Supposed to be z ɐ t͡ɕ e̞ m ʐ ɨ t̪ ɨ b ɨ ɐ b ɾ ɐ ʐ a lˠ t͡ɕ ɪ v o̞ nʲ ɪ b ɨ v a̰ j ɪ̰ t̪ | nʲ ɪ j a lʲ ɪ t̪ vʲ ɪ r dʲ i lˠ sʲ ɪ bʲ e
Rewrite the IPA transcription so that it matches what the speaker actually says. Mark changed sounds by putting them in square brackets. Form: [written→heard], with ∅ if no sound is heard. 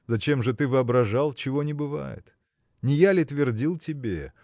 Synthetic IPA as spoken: z ɐ t͡ɕ e̞ m ʐ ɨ t̪ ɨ [b→v] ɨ ɐ b ɾ ɐ ʐ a lˠ t͡ɕ ɪ v o̞ nʲ ɪ b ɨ v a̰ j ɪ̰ t̪ | nʲ ɪ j a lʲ ɪ t̪ vʲ ɪ r dʲ i lˠ [sʲ→tʲ] ɪ bʲ e